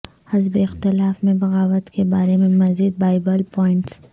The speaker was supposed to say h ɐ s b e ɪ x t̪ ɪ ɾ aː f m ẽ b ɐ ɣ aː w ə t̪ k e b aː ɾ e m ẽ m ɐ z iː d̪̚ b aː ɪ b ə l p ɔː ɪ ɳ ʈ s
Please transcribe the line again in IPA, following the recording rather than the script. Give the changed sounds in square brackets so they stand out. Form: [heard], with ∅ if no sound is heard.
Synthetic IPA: h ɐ [z] b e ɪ x t̪ ɪ [l] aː f m ẽ b ɐ ɣ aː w ə t̪ k e b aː ɾ e m ẽ m ɐ z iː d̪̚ b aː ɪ b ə l p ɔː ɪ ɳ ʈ s